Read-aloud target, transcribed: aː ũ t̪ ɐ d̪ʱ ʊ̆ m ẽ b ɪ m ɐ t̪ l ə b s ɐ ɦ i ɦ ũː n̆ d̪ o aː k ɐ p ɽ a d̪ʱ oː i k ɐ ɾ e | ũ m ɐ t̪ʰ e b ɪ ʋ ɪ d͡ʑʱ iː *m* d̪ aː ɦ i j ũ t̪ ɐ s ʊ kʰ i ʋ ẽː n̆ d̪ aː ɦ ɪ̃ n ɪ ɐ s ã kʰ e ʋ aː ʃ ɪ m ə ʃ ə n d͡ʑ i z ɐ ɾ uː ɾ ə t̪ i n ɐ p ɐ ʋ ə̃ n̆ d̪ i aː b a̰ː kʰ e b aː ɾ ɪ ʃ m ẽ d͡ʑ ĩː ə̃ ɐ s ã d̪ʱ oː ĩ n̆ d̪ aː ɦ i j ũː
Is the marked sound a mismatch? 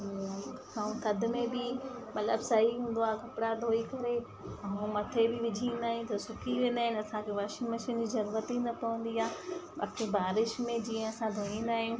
yes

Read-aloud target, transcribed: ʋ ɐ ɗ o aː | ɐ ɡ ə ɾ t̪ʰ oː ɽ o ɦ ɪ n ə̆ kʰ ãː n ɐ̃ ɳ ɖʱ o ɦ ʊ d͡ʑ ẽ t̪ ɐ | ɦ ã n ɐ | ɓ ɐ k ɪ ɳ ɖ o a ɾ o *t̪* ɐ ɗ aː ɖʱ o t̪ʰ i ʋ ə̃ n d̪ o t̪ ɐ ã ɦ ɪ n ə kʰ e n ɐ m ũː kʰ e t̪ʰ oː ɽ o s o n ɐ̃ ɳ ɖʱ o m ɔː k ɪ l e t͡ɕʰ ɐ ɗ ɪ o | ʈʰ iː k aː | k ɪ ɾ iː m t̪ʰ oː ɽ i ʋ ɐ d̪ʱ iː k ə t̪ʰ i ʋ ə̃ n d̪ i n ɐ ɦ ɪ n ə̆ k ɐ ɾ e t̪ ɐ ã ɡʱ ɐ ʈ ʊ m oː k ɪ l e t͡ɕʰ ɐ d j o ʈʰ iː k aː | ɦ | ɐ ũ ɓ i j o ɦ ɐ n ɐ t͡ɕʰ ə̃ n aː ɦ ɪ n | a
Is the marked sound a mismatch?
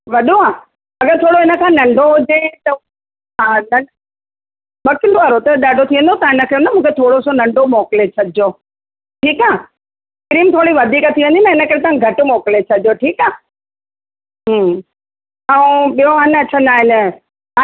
no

